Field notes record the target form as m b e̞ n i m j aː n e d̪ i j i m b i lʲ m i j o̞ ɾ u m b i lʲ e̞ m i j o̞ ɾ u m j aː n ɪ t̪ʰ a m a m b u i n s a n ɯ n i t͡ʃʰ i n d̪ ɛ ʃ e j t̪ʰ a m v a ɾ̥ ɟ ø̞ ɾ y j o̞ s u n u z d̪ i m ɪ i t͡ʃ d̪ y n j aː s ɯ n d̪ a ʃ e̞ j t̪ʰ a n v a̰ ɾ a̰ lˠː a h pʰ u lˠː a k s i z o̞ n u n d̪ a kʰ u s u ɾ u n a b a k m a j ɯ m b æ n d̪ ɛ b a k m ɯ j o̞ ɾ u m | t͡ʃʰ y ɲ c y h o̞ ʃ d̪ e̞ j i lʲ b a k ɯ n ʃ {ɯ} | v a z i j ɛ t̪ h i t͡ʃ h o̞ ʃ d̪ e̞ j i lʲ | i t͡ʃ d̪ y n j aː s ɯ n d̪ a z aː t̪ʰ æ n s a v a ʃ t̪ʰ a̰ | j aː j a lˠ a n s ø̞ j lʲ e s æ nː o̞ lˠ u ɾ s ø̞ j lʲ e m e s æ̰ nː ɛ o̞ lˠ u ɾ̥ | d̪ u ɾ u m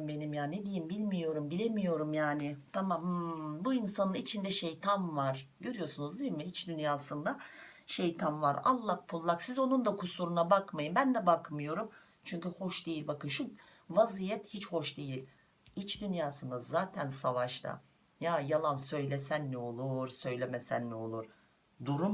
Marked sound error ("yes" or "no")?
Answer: yes